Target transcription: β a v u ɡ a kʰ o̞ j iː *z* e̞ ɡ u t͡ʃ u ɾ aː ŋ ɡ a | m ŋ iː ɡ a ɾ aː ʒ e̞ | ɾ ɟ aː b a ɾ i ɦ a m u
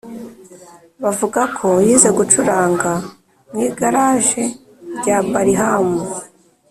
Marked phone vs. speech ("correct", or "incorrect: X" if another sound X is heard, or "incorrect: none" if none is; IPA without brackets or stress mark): correct